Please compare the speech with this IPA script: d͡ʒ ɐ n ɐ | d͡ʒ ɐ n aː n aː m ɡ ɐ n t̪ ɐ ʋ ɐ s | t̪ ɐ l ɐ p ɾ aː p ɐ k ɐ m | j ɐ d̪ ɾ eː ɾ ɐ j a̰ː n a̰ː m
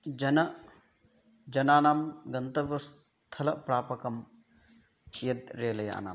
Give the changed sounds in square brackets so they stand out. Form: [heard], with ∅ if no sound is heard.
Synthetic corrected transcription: d͡ʒ ɐ n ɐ | d͡ʒ ɐ n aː n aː m ɡ ɐ n t̪ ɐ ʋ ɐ s | [t̪ʰ] ɐ l ɐ p ɾ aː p ɐ k ɐ m | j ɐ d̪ ɾ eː [l] ɐ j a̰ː n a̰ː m

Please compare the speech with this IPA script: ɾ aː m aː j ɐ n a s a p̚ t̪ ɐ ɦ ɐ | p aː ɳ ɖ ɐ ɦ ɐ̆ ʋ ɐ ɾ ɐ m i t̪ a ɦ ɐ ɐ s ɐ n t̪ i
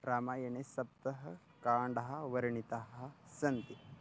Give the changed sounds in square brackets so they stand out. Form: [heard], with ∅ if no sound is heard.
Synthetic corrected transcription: ɾ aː m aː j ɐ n [e] s [ɐ] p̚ t̪ ɐ ɦ ɐ | [k] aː ɳ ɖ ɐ ɦ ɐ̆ ʋ ɐ ɾ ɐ [ɳ] i t̪ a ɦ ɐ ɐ s ɐ n t̪ i

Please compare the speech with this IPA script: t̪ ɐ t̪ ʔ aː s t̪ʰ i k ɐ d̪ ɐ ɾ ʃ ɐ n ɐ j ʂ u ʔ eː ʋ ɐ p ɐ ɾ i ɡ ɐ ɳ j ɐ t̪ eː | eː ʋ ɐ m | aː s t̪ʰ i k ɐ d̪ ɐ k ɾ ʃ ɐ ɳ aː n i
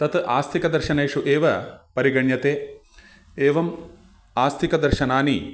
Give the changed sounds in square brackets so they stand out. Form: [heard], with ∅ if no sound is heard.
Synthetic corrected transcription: t̪ ɐ t̪ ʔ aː s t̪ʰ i k ɐ d̪ ɐ ɾ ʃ ɐ n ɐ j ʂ u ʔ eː ʋ ɐ p ɐ ɾ i ɡ ɐ ɳ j ɐ t̪ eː | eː ʋ ɐ m | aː s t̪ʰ i k ɐ d̪ ɐ [∅] ɾ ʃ ɐ [n] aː n i

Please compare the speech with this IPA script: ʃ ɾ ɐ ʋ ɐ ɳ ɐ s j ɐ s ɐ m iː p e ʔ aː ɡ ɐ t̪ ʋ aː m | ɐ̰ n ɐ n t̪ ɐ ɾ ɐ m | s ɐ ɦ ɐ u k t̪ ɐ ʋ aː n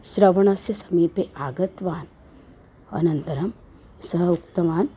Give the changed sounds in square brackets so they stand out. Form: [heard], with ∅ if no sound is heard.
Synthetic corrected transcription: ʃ ɾ ɐ ʋ ɐ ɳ ɐ s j ɐ s ɐ m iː p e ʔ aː ɡ ɐ t̪ ʋ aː [n] | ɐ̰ n ɐ n t̪ ɐ ɾ ɐ m | s ɐ ɦ ɐ u k t̪ ɐ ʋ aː n

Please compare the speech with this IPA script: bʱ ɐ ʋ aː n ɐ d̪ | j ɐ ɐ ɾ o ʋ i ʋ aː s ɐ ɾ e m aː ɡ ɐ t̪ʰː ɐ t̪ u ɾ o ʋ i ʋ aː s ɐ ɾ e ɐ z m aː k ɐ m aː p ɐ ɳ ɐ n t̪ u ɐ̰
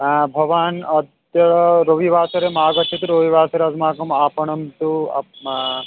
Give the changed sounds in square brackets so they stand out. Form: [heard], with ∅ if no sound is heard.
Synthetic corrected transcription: bʱ ɐ ʋ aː n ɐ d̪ | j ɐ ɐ ɾ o ʋ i ʋ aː s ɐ ɾ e m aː ɡ ɐ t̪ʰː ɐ t̪ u ɾ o ʋ i ʋ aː s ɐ ɾ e ɐ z m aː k ɐ m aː p ɐ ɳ ɐ [m] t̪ u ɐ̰

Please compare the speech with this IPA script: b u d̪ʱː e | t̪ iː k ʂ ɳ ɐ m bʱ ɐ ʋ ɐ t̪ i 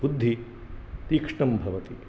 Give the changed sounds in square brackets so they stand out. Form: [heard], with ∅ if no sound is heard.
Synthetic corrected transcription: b u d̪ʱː [i] | t̪ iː k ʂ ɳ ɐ m bʱ ɐ ʋ ɐ t̪ i

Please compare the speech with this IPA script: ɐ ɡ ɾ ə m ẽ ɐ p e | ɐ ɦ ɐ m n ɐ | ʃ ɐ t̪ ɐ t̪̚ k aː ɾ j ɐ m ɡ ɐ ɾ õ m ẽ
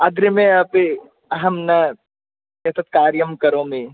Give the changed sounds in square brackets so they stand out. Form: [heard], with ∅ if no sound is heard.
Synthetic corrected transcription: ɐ ɡ ɾ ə m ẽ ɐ p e | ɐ ɦ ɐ m n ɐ | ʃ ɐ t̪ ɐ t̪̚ k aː ɾ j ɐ m [k] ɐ ɾ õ m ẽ

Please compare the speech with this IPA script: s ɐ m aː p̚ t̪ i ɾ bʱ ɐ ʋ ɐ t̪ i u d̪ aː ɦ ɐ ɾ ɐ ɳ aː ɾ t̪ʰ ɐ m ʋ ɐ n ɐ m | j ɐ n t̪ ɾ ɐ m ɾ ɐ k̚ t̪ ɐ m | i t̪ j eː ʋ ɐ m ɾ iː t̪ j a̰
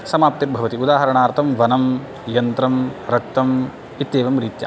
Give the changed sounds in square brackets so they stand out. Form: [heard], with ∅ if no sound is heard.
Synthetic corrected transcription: s ɐ m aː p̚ t̪ i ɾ bʱ ɐ ʋ ɐ t̪ i u d̪ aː ɦ ɐ ɾ ɐ ɳ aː ɾ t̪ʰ ɐ m ʋ ɐ n ɐ m | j ɐ n t̪ ɾ ɐ m ɾ ɐ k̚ t̪ ɐ m | i t̪ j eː ʋ ɐ m ɾ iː t̪ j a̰

